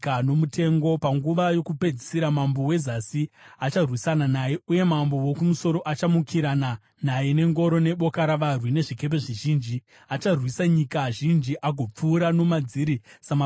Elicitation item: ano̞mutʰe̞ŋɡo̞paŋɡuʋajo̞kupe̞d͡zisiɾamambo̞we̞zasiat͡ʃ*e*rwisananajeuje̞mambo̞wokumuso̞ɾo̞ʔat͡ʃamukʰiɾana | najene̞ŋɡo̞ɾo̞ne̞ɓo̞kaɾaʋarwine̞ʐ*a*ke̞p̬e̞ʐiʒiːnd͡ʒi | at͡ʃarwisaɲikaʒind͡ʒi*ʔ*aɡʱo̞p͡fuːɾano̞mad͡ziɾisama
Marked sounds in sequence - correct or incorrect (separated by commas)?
incorrect, incorrect, correct